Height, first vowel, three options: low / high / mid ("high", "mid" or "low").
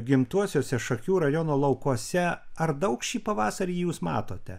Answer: high